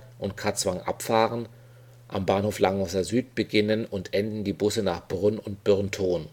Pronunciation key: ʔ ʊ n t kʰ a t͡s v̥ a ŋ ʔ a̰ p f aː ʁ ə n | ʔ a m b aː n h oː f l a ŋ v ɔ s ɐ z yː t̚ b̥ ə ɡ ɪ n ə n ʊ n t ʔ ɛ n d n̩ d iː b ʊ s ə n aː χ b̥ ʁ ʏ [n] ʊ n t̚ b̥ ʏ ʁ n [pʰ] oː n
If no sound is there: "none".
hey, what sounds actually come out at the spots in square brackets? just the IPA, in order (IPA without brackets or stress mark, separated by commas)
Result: n, tʰ